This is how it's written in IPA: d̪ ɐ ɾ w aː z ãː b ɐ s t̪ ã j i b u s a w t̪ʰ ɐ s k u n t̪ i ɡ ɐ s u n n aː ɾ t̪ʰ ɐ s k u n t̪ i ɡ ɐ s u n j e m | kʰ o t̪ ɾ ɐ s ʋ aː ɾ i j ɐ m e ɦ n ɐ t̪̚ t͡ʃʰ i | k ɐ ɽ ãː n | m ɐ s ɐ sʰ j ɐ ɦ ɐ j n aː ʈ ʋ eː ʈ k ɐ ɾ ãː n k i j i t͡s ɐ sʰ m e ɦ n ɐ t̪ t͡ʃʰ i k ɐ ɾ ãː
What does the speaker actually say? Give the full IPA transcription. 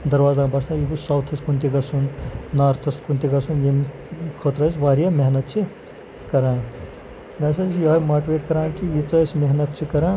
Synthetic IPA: d̪ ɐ ɾ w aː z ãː b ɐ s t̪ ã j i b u s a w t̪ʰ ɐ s k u n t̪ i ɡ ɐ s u n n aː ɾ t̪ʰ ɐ s k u n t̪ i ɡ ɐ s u n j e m | kʰ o t̪ ɾ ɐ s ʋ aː ɾ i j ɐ m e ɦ n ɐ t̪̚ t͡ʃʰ i | k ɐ ɾ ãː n | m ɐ s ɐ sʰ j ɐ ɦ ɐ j m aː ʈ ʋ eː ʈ k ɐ ɾ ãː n k i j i t͡s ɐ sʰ m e ɦ n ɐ t̪ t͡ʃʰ i k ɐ ɾ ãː

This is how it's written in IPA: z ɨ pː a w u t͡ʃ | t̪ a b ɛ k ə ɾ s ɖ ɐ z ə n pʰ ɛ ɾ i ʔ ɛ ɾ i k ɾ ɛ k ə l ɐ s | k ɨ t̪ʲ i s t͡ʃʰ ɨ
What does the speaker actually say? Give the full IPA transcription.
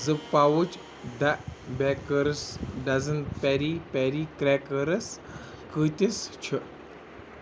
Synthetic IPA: z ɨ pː a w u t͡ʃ | d̪ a b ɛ k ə ɾ s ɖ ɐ z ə n p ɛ ɾ i p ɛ ɾ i k ɾ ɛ k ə ɾ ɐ s | k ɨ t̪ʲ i s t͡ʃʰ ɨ

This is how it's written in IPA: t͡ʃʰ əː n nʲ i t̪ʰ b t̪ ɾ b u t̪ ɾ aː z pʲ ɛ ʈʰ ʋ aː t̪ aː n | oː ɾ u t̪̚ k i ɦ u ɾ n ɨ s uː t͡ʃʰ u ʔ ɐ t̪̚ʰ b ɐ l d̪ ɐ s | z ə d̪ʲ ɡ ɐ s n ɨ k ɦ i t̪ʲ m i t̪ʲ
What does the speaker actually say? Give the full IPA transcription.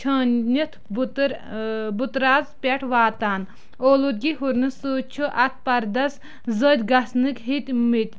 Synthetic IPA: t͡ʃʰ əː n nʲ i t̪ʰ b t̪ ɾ b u t̪ ɾ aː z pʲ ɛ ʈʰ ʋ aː t̪ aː n | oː l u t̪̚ ɡ i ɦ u ɾ n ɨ s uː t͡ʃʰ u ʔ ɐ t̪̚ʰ p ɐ ɾ d̪ ɐ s | z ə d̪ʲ ɡ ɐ s n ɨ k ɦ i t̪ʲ m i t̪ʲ

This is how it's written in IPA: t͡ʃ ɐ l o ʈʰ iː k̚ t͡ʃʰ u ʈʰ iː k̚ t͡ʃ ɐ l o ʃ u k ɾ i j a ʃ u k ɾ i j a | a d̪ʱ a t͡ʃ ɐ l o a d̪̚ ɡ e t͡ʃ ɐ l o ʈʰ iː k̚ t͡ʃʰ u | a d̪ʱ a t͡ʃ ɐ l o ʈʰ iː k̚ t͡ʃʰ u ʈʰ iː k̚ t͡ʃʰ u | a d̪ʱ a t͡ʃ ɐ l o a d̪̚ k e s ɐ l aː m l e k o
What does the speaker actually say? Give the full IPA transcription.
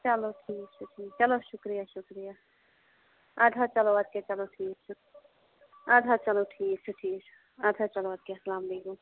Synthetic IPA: t͡ʃ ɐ l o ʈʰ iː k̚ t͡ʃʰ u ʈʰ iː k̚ t͡ʃ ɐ l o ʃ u k ɾ i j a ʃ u k ɾ i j a | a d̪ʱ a t͡ʃ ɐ l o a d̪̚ k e t͡ʃ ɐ l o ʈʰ iː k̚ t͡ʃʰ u | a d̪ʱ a t͡ʃ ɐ l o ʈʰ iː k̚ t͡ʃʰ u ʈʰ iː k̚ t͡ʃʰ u | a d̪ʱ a t͡ʃ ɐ l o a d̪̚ k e s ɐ l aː m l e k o

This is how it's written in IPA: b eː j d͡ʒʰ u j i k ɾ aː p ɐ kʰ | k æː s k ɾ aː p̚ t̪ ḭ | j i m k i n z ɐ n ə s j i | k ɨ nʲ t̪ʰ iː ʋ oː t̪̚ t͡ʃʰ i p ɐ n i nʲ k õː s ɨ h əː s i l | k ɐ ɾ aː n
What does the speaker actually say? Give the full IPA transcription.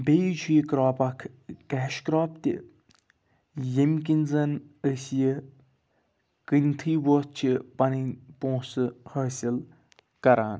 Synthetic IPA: b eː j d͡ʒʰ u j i k ɾ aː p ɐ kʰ | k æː ʃ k ɾ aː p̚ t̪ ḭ | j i m k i n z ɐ n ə s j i | k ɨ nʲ t̪ʰ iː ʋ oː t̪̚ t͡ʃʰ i p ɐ n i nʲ p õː s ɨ h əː s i l | k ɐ ɾ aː n

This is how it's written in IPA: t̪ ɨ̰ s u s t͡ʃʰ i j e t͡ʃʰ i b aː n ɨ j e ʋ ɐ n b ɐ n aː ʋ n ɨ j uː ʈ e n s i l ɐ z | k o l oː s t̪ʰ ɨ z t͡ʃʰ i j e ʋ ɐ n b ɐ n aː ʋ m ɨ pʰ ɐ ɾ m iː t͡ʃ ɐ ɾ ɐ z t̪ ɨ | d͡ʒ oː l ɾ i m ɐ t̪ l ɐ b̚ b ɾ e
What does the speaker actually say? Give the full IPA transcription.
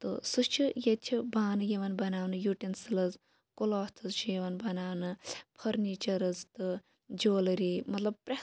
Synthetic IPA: t̪ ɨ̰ s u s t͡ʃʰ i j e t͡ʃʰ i b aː n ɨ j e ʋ ɐ n b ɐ n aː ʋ n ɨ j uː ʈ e n s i l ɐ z | k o l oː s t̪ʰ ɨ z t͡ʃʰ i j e ʋ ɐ n b ɐ n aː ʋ n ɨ pʰ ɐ ɾ n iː t͡ʃ ɐ ɾ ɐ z t̪ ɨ | d͡ʒ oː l ɾ i m ɐ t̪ l ɐ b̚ p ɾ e

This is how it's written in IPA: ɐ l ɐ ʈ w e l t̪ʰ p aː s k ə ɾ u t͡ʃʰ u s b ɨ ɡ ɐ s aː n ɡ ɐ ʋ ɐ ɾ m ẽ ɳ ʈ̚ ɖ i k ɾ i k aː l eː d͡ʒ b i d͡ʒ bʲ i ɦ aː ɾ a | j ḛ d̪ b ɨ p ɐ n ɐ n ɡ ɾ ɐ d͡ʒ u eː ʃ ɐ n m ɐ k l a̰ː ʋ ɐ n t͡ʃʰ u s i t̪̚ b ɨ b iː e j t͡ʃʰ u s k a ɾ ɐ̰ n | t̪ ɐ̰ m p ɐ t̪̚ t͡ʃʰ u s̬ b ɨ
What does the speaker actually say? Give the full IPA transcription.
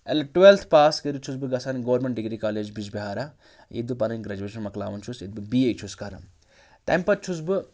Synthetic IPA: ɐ l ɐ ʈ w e l t̪ʰ p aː s k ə ɾ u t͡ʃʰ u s b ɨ ɡ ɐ s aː n ɡ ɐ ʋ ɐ ɾ m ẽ ɳ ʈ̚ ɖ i ɡ ɾ i k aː l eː d͡ʒ b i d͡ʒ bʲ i ɦ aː ɾ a | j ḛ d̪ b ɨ p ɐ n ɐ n ɡ ɾ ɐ d͡ʒ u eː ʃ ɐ n m ɐ k l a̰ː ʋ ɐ n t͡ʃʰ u s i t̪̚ b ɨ b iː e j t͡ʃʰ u s k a ɾ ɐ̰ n | t̪ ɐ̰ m p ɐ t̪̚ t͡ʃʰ u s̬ b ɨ

